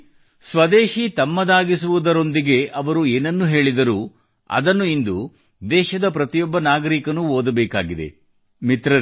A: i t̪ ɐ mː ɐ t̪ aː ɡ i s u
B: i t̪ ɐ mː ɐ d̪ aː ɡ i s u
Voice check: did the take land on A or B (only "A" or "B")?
B